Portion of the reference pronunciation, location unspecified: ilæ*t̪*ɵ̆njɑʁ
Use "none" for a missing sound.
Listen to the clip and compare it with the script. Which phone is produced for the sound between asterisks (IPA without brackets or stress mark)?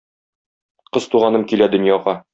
d̪